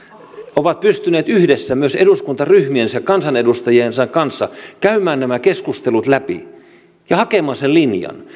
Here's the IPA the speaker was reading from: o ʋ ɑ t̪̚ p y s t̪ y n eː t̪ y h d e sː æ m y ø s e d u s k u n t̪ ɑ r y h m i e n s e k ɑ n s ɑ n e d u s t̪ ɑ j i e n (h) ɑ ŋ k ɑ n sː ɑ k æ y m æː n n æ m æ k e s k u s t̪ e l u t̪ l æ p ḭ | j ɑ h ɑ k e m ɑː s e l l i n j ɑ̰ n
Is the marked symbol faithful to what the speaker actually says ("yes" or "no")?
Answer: no